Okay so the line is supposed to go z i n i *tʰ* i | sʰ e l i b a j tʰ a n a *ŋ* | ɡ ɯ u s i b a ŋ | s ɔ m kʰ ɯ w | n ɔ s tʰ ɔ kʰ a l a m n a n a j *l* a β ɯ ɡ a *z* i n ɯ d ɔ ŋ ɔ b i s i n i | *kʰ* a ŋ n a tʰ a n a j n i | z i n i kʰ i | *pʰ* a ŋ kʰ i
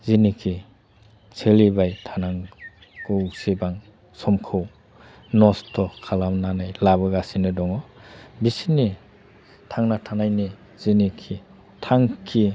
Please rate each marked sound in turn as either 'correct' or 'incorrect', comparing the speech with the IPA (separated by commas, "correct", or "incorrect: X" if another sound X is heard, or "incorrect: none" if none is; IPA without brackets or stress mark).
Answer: incorrect: kʰ, correct, correct, incorrect: s, incorrect: tʰ, incorrect: tʰ